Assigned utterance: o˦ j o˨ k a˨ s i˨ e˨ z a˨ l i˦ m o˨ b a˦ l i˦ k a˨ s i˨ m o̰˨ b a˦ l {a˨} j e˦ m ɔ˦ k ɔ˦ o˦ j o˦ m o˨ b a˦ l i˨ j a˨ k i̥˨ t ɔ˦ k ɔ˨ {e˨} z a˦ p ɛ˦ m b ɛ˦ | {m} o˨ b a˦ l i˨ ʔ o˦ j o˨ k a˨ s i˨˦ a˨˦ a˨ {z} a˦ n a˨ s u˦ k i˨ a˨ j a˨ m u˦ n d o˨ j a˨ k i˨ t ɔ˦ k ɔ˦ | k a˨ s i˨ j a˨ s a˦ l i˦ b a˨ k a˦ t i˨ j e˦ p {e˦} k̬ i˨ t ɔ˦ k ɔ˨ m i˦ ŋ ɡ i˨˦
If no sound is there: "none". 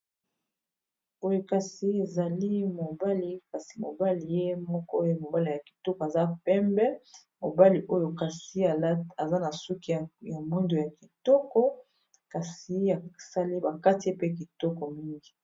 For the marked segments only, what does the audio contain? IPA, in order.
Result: i˨, a˨, m, z, e˦

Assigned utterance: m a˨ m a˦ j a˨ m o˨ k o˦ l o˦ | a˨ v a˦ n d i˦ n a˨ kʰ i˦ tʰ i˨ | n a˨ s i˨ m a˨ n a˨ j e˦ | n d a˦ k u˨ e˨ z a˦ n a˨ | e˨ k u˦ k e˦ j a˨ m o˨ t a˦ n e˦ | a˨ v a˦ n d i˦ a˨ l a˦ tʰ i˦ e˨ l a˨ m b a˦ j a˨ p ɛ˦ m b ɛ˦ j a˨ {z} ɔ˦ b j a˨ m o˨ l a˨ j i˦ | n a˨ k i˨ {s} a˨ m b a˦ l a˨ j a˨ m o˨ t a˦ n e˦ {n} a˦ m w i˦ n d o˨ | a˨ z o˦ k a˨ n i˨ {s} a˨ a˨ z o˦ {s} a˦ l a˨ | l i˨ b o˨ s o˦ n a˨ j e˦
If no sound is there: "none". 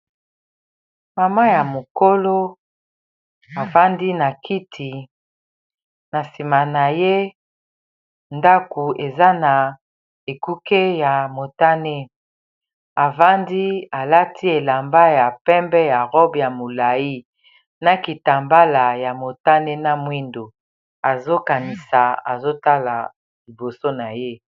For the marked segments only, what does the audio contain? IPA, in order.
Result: ʁ, t, n, s, t

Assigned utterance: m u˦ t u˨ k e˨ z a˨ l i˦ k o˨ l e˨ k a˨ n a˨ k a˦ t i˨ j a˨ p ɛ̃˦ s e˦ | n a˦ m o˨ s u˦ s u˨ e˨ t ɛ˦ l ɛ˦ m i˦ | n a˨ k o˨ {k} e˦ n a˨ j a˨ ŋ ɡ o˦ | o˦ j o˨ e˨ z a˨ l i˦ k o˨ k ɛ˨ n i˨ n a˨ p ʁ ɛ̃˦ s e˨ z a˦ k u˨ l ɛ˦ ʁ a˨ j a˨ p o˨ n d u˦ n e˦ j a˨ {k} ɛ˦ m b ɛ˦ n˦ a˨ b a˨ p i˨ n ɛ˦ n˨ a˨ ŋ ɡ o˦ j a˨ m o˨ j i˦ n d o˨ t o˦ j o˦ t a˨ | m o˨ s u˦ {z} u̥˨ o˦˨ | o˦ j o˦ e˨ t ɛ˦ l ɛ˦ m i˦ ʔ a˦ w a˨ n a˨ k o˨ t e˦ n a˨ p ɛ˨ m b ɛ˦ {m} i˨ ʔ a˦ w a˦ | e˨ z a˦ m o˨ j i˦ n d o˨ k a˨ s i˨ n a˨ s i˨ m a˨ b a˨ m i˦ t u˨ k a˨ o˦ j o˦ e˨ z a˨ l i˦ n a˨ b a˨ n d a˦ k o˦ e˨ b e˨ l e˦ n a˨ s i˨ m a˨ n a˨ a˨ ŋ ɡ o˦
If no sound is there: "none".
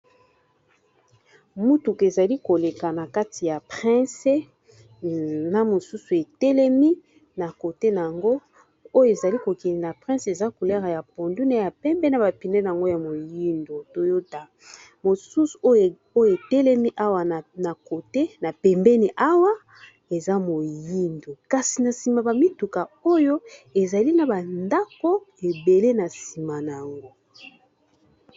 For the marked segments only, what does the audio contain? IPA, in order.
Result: t, p, s, n

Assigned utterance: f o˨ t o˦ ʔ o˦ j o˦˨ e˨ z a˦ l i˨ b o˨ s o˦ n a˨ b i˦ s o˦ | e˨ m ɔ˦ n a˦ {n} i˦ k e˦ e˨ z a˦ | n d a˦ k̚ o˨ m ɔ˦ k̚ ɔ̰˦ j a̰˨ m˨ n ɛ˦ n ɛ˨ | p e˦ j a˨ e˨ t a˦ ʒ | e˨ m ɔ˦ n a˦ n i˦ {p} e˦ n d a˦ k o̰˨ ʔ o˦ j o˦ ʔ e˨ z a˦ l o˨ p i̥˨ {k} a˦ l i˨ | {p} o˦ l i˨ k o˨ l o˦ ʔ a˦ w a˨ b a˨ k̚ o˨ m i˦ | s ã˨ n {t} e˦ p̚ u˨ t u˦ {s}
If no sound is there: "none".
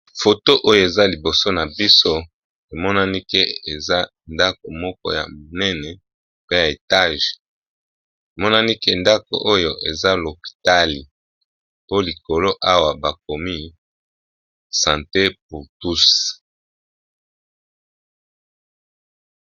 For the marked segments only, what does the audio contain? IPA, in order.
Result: n, k, t, p, t, s

